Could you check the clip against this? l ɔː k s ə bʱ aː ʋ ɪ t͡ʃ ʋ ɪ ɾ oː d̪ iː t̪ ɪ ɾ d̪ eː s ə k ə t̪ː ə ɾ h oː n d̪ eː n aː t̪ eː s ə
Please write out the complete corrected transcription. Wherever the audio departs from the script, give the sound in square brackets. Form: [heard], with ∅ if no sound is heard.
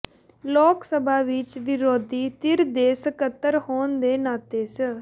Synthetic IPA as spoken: l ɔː k s ə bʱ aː ʋ ɪ t͡ʃ ʋ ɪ ɾ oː d̪ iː t̪ ɪ ɾ d̪ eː s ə k ə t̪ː ə ɾ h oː n d̪ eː n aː t̪ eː s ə